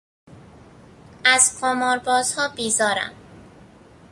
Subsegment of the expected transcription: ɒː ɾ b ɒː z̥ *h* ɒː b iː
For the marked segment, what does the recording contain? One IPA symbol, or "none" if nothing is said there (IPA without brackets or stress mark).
h